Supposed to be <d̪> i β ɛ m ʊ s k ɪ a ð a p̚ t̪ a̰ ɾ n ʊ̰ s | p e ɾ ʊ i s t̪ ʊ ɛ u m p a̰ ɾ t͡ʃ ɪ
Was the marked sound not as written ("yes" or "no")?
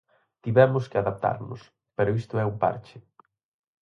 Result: yes